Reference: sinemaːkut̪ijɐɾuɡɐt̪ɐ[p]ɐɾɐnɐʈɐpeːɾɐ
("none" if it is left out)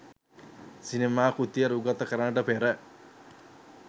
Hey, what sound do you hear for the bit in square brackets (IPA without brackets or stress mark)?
k